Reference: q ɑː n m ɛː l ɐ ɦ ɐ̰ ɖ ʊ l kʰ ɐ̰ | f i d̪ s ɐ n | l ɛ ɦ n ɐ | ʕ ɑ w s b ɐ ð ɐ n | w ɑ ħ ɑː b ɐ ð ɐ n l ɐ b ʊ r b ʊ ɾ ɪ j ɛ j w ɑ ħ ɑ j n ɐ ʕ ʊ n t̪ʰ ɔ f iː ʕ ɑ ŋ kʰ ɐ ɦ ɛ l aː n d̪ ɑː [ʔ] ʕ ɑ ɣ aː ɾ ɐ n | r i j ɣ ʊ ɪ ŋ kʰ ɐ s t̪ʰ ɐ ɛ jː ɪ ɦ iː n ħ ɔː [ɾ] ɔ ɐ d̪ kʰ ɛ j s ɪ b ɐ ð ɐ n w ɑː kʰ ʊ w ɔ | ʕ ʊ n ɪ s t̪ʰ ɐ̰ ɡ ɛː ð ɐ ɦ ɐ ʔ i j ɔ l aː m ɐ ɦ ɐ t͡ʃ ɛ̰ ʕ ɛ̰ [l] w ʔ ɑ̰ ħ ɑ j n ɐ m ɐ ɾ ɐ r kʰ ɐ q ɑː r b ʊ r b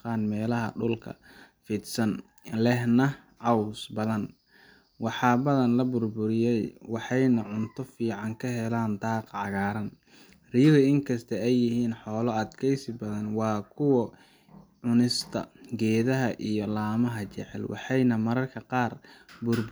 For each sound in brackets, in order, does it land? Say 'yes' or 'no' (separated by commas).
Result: no, no, yes